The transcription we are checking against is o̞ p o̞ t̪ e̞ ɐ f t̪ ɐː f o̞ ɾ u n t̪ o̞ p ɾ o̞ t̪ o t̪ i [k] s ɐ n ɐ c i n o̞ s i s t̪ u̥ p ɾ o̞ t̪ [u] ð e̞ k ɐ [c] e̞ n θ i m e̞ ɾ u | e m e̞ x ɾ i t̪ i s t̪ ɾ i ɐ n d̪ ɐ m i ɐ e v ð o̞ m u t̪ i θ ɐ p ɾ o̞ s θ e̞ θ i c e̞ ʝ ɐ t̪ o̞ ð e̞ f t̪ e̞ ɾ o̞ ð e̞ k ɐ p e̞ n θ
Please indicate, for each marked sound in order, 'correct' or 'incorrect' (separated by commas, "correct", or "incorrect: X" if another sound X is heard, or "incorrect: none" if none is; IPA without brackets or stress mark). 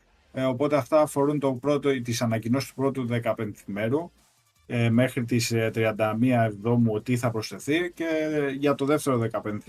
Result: incorrect: none, correct, incorrect: p